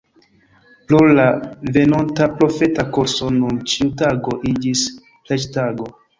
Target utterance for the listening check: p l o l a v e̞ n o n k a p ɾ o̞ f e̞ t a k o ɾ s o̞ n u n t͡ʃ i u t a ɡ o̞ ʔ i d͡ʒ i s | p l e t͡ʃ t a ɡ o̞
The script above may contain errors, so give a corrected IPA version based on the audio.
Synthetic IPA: p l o l a v e̞ n o n t a p ɾ o̞ f e̞ t a k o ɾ s o̞ n u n t͡ʃ i u t a ɡ o̞ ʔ i d͡ʒ i s | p l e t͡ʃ t a ɡ o̞